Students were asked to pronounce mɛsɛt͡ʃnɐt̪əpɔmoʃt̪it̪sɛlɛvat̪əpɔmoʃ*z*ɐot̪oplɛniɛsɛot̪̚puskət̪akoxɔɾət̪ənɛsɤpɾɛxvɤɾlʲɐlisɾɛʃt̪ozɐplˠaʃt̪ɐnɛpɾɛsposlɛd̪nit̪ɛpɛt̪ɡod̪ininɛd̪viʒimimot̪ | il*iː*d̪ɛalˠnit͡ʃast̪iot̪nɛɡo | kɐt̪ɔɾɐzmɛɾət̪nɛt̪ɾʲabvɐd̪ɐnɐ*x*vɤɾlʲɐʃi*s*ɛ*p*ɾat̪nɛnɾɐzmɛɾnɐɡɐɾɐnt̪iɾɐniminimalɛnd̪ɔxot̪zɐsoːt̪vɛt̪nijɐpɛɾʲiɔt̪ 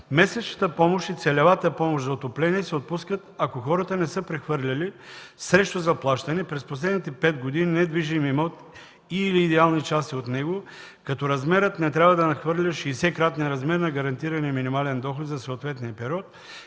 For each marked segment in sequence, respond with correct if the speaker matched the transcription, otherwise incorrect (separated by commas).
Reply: correct, correct, correct, correct, incorrect